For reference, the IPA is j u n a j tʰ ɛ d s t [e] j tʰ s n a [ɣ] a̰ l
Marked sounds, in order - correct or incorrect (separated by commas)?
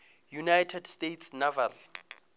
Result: correct, incorrect